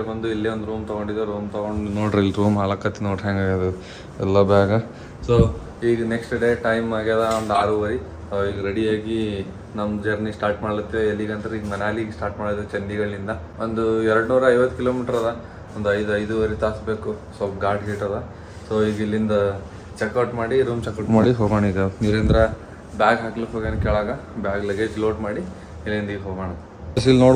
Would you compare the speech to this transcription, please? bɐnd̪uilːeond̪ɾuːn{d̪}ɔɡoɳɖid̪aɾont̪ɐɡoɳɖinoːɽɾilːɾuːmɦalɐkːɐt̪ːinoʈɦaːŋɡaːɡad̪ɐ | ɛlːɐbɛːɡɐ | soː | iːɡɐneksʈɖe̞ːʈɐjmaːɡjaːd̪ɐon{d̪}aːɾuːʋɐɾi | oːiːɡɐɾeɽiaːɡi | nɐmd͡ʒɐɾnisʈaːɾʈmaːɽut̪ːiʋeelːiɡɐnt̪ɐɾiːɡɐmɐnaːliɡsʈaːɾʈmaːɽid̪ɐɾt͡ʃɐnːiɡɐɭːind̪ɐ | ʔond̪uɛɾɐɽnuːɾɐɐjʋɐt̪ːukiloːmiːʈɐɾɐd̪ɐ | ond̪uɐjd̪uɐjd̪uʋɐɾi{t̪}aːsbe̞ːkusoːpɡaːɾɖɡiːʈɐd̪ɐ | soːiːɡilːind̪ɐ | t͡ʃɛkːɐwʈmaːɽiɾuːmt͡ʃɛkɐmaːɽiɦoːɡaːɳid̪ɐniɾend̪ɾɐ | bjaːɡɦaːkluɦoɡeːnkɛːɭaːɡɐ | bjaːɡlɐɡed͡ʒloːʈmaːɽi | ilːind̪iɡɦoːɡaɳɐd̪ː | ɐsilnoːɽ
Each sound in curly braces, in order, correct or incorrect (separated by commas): incorrect, correct, correct